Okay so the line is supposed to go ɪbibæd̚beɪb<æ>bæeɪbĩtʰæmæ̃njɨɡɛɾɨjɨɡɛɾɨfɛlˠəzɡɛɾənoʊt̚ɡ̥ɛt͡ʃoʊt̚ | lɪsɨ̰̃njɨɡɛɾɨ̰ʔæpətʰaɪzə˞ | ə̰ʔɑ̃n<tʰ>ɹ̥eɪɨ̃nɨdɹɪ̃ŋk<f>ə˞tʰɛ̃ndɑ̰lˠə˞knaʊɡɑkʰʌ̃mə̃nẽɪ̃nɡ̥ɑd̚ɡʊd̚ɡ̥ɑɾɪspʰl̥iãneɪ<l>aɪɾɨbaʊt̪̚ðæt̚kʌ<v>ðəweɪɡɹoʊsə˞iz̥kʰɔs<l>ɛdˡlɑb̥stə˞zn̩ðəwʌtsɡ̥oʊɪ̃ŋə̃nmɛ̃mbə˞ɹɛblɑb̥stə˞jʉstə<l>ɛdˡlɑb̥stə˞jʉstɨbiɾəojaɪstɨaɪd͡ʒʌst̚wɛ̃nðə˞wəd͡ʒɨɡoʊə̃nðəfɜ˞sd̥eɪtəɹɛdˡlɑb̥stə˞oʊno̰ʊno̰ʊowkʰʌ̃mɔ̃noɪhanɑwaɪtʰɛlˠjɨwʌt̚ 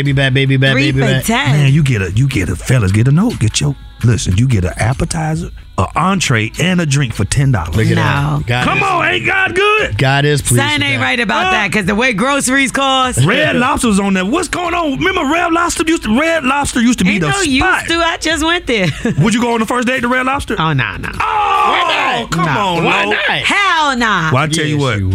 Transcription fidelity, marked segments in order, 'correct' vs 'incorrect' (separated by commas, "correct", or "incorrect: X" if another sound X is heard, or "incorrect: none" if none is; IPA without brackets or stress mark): incorrect: i, correct, correct, incorrect: ɹ, incorrect: z, incorrect: ɹ, incorrect: ɹ